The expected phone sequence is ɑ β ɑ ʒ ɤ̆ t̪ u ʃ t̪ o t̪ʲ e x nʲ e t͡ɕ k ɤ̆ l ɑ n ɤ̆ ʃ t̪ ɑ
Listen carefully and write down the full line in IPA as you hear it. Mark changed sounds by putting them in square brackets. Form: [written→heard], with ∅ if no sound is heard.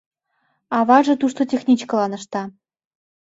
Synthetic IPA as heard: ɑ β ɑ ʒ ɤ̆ t̪ u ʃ t̪ o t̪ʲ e x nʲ [e→i] t͡ɕ k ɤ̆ l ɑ n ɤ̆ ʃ t̪ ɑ